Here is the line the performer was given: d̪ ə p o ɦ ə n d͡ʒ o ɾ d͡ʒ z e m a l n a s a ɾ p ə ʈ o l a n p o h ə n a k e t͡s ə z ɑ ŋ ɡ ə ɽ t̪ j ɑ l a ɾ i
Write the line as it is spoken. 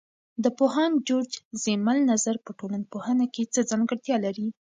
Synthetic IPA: d̪ ə p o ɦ ɑ n d͡ʒ o ɾ d͡ʒ z e m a l n a z a ɾ p ə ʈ o l a n p o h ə n a k e t͡s ə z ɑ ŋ ɡ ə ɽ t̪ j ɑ l a ɾ i